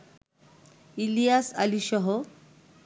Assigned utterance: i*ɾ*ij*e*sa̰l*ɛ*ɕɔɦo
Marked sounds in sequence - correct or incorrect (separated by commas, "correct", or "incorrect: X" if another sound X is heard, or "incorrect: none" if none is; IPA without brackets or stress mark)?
incorrect: l, incorrect: a, incorrect: i